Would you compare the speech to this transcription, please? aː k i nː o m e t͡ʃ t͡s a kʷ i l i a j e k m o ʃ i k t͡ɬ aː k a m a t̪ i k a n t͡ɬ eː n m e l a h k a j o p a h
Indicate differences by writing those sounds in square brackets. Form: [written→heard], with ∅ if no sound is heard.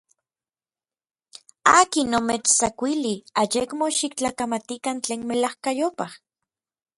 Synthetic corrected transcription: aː k i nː o m e t͡ʃ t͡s a kʷ i l i a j e k m o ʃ i k t͡ɬ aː k a m a t̪ i k a n t͡ɬ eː n m e l a h k a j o p a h